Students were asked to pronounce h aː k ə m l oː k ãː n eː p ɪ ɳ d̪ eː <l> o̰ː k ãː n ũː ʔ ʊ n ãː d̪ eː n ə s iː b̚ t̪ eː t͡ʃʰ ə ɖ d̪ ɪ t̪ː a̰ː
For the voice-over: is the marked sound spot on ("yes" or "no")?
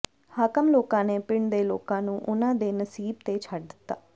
yes